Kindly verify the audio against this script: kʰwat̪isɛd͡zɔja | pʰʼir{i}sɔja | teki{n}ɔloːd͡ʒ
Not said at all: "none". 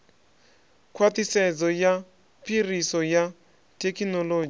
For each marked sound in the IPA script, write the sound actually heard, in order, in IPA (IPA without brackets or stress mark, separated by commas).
i, n